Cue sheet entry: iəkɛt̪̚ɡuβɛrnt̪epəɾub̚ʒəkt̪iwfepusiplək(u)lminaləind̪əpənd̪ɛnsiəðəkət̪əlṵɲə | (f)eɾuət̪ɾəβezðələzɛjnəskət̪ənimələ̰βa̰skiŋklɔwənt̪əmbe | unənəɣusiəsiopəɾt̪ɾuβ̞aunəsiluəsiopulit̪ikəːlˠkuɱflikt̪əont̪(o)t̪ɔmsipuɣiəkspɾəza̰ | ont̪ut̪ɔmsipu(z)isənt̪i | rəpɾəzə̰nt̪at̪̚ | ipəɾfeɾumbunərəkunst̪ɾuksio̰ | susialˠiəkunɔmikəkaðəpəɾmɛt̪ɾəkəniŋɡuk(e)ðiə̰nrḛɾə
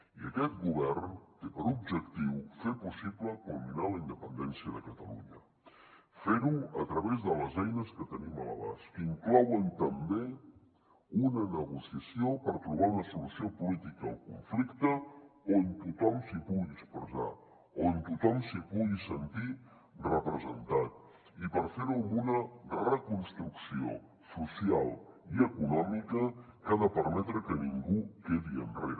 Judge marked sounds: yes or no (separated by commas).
yes, yes, no, no, yes